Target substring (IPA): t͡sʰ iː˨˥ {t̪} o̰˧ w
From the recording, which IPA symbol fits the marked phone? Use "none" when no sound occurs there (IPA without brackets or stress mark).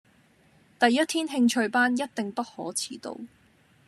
t̪